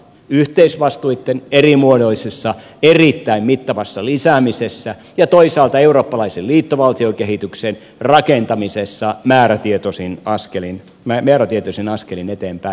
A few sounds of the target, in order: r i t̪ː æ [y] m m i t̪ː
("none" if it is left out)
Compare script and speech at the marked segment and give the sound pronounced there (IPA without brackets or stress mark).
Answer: i